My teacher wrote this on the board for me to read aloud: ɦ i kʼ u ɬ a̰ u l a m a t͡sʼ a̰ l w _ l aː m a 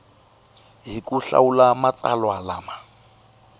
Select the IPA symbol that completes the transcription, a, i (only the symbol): a